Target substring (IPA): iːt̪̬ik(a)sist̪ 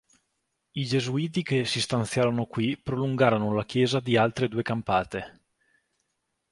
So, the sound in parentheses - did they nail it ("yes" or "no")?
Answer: no